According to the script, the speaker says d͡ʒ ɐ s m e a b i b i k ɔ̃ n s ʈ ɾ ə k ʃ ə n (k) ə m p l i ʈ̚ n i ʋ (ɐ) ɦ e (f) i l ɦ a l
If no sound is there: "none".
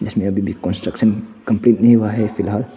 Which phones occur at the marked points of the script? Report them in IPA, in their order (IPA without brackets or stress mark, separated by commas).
k, a, f